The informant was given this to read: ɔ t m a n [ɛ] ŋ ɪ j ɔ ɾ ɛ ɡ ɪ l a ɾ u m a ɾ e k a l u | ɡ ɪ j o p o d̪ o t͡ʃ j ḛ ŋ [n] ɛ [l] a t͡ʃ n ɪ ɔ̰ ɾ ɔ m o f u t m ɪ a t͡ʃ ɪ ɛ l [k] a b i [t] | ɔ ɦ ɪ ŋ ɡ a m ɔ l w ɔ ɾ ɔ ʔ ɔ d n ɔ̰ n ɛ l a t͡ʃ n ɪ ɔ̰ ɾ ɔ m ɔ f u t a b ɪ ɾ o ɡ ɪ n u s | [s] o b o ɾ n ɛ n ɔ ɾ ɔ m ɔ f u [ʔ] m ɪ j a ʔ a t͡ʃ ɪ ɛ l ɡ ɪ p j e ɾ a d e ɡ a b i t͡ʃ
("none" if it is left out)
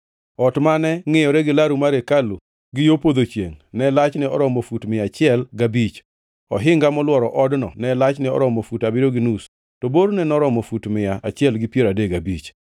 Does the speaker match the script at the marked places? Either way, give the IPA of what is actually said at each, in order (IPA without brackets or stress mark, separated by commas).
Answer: ɛ, n, l, ɡ, t͡ʃ, t, t